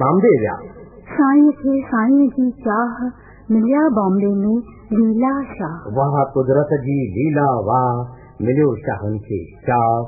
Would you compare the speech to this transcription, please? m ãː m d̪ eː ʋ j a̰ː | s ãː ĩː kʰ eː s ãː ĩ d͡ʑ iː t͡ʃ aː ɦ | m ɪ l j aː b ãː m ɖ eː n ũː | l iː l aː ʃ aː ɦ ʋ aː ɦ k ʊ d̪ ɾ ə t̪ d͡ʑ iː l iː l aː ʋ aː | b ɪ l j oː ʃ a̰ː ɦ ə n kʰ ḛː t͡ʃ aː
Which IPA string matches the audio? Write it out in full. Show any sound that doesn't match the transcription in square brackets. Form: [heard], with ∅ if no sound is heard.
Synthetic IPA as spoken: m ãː m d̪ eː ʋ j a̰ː | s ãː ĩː kʰ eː s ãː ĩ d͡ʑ iː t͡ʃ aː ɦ | m ɪ l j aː b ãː m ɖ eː n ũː | l iː l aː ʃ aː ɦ ʋ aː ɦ k ʊ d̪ ɾ ə t̪ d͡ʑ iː l iː l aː ʋ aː | [m] ɪ l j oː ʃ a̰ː ɦ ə n kʰ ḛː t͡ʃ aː